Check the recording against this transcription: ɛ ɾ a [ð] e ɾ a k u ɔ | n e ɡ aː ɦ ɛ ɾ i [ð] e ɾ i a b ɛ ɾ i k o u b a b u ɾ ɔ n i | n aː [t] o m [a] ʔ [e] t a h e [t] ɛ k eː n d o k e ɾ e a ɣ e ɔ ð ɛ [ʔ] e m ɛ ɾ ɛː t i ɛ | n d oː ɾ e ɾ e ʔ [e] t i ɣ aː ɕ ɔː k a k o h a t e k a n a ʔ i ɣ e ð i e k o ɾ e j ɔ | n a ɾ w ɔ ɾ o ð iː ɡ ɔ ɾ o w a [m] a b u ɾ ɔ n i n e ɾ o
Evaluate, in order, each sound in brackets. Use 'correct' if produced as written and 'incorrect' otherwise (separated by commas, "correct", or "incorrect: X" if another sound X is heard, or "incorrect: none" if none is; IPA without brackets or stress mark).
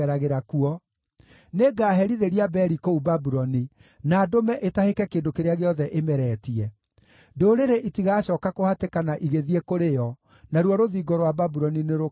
incorrect: ɣ, correct, incorrect: d, incorrect: ɛ, correct, incorrect: k, correct, incorrect: i, incorrect: b